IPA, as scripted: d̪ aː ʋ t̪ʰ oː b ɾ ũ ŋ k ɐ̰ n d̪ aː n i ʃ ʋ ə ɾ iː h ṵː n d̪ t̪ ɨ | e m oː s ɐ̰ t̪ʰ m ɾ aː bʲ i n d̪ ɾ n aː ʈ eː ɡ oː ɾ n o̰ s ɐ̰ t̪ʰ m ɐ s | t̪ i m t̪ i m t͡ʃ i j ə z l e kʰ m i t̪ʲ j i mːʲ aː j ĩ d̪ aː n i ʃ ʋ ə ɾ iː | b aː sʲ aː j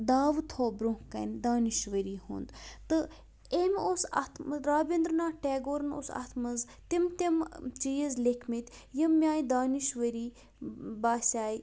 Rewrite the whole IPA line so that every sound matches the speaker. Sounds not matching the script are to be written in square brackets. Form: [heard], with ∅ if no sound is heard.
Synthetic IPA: d̪ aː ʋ t̪ʰ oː b ɾ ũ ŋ k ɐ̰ n d̪ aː n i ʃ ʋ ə ɾ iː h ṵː n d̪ t̪ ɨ | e m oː s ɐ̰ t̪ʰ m ɾ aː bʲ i n d̪ ɾ n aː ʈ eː ɡ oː ɾ n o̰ s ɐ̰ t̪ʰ m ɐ [z] | t̪ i m t̪ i m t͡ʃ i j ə z l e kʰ m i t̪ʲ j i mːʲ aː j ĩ d̪ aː n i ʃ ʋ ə ɾ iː | b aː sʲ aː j